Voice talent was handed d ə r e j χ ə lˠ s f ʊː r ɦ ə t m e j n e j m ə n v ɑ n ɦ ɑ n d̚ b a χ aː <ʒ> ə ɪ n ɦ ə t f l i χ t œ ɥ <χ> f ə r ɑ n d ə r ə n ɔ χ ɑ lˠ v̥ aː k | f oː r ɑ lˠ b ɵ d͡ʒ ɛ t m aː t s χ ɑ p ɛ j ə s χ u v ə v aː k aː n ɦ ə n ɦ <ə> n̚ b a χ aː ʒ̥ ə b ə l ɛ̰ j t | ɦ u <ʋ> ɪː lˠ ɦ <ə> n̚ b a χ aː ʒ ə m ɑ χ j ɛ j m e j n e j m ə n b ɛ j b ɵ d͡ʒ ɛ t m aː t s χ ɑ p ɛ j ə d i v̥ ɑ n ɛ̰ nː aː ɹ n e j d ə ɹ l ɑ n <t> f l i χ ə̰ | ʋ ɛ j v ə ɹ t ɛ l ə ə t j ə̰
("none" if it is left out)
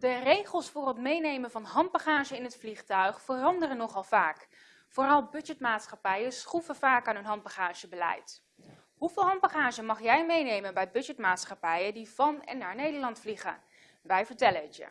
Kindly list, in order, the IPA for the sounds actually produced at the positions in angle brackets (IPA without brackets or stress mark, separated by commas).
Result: ʒ, χ, ɑ, v, ɑ, t